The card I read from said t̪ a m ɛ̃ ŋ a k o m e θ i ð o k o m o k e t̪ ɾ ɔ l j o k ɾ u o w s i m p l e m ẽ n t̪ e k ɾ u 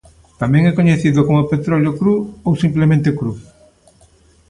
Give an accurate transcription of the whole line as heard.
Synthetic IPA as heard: t̪ a m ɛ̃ ŋ ɛ k o ɲ e θ i ð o k o m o p e t̪ ɾ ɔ l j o k ɾ u o w s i m p l e m ẽ n t̪ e k ɾ u